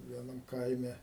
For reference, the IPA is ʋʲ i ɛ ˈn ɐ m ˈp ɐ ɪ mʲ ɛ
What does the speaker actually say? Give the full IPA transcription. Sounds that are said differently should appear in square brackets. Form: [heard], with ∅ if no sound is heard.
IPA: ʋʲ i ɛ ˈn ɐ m [ˈk] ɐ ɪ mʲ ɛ